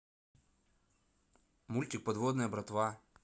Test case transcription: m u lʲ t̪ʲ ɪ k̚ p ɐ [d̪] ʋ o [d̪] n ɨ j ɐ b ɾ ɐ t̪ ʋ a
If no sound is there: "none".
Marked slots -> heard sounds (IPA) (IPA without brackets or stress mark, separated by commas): d̪, d̪